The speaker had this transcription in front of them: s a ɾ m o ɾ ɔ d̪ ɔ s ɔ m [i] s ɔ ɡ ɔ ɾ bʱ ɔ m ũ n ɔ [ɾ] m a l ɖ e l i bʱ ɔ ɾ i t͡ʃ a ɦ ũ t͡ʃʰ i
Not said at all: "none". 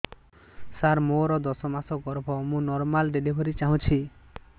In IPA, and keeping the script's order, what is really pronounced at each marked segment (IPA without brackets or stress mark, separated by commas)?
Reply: a, ɾ